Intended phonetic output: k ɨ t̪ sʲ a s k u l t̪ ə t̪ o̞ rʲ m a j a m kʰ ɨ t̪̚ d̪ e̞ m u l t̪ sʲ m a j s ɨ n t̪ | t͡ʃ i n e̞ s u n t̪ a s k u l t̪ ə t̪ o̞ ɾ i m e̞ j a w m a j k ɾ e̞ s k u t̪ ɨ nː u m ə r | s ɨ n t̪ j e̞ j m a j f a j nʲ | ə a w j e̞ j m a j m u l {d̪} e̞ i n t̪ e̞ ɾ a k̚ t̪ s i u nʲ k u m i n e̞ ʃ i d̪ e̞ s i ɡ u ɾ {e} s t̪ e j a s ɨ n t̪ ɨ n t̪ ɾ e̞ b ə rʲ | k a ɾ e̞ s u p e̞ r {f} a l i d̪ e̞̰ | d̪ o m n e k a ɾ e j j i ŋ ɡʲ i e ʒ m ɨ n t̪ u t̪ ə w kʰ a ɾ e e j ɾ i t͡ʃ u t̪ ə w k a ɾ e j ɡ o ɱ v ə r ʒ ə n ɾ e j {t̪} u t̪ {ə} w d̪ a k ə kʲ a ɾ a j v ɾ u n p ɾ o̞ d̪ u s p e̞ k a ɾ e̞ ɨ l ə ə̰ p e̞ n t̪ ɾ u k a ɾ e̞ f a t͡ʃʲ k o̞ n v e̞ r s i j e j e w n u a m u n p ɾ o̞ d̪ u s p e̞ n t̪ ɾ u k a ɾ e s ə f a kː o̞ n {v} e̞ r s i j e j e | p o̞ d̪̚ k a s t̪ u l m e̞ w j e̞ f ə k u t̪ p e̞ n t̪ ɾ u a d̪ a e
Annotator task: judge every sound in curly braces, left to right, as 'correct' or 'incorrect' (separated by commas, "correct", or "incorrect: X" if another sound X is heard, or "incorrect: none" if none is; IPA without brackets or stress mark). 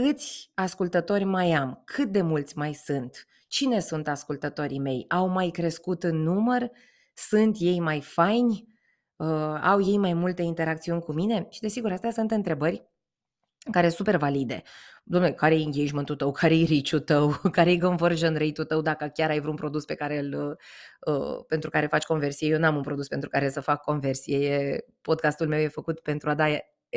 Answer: incorrect: t̪, incorrect: a, incorrect: v, correct, correct, correct